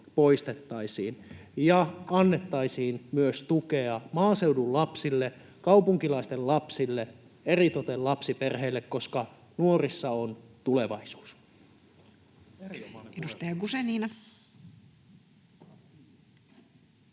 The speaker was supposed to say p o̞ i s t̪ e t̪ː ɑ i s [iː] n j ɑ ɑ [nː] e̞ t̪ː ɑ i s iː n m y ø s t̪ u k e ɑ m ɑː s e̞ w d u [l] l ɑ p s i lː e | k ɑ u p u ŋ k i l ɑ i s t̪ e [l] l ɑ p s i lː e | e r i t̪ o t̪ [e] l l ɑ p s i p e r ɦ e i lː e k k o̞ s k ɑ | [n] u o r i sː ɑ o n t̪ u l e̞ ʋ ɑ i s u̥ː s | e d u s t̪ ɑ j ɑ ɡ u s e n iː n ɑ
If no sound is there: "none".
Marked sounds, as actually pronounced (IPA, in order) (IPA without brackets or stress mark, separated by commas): iː, nː, l, l, e, n